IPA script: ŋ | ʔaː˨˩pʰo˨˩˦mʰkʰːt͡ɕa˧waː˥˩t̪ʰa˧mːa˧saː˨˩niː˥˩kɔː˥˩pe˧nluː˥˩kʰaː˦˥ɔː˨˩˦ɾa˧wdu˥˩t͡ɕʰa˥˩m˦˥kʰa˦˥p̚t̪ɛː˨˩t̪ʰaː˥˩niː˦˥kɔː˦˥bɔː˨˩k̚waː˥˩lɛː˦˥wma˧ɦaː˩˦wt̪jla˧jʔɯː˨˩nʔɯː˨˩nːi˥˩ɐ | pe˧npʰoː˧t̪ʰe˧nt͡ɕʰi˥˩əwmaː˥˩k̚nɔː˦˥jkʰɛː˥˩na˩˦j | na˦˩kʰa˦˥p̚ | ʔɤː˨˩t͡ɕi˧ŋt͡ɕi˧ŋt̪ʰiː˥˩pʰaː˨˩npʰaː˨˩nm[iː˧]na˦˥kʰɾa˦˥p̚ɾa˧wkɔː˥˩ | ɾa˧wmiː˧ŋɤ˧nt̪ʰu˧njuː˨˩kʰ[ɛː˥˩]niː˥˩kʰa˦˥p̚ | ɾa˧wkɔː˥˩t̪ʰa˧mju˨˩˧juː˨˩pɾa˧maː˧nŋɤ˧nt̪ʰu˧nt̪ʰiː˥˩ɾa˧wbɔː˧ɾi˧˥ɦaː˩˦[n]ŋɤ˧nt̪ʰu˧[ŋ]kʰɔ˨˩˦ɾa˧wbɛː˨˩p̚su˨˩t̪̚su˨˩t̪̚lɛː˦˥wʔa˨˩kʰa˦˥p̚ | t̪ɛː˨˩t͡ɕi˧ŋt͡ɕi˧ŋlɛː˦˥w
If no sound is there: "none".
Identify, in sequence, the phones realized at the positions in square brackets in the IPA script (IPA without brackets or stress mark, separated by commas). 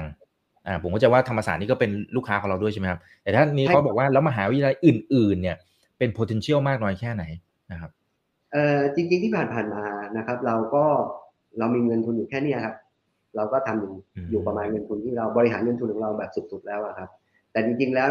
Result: aː˧, ɛː˥˩, n, n